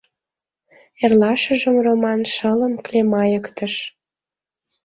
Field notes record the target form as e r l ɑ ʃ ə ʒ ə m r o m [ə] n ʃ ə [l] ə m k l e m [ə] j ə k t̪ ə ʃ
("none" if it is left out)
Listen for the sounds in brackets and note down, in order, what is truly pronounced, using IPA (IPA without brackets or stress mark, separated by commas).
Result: ɑ, l, ɑ